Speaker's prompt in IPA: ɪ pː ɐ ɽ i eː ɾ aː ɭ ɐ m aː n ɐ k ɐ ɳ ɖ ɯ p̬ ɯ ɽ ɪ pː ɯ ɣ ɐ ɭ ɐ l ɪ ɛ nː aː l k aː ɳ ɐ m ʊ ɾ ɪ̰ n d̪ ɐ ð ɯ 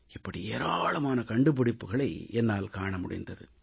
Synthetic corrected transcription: ɪ pː ɐ ɽ i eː ɾ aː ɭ ɐ m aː n ɐ k ɐ ɳ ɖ ɯ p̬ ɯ ɽ ɪ pː ɯ ɣ ɐ ɭ ɐ ɪ ɛ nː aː l k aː ɳ ɐ m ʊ ɽ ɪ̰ n d̪ ɐ ð ɯ